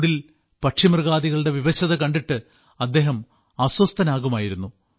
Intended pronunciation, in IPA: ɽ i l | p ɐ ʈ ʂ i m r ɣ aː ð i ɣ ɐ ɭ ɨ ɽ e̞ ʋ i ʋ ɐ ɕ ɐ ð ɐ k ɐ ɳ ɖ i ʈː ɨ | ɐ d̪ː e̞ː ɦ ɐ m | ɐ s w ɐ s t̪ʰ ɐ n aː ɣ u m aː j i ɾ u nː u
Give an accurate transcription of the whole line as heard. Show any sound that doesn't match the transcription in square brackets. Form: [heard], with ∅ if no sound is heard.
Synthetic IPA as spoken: ɽ i l | p ɐ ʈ ʂ i m r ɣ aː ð i ɣ ɐ ɭ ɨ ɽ e̞ ʋ i ʋ ɐ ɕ ɐ ð ɐ k ɐ ɳ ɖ i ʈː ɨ | ɐ d̪ː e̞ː ɦ ɐ m | ɐ s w ɐ s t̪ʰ ɐ n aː ɣ u m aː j i ɾ u nː u